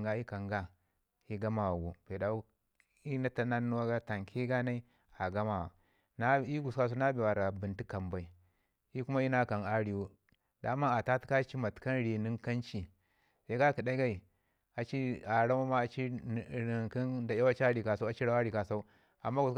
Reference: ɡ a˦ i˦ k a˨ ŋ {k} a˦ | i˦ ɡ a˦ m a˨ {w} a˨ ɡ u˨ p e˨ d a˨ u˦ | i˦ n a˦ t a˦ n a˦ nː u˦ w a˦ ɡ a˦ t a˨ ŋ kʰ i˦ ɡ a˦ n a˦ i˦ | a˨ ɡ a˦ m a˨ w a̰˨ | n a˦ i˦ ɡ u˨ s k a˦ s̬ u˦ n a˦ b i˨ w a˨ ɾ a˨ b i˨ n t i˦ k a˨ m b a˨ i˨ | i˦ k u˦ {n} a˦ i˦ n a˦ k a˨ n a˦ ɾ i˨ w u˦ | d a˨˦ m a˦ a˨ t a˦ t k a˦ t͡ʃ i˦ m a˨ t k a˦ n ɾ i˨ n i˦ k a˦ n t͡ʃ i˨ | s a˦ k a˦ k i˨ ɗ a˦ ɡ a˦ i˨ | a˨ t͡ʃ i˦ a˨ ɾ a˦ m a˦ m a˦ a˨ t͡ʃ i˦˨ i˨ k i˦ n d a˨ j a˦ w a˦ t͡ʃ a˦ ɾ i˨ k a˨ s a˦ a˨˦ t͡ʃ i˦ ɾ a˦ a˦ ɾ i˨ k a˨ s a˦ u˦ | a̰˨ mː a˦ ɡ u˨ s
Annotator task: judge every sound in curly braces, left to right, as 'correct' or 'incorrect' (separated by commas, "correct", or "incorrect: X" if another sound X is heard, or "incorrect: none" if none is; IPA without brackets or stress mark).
incorrect: ɡ, correct, incorrect: m